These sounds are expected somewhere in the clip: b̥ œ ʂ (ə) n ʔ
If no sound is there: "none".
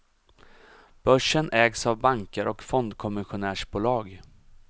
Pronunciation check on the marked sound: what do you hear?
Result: ə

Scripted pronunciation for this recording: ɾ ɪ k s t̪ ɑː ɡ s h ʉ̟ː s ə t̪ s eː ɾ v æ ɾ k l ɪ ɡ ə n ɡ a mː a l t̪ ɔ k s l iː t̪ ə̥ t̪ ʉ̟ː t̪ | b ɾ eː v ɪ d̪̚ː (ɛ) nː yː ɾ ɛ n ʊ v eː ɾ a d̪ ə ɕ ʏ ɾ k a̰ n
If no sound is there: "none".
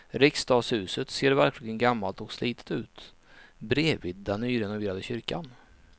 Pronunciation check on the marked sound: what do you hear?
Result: ɛ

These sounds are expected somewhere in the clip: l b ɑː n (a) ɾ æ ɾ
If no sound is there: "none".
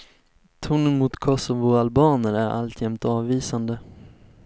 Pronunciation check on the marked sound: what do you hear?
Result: ə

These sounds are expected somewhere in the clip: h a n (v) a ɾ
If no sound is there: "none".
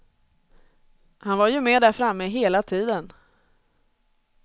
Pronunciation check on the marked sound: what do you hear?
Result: v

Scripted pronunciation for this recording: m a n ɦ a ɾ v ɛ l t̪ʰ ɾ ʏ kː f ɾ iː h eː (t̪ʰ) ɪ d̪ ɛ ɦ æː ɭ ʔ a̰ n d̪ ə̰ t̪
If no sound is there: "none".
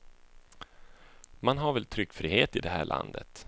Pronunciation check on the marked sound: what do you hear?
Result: t̪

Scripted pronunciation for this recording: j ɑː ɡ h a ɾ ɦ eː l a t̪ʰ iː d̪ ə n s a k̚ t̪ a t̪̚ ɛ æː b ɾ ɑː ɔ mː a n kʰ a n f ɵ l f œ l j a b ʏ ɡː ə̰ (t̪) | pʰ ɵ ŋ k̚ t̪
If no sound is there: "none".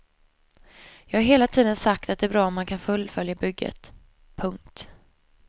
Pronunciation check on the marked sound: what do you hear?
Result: t̪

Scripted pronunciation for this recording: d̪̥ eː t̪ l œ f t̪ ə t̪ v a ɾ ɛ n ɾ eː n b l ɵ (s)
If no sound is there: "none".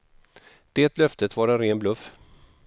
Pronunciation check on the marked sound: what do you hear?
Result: f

